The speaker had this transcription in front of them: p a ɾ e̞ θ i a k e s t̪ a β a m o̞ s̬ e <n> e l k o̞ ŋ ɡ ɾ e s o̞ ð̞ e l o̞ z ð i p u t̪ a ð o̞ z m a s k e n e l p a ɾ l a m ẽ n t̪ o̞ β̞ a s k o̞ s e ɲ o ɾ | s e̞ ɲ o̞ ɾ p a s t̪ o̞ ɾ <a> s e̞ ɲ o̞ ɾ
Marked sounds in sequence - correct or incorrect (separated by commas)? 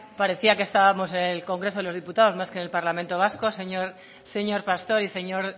correct, incorrect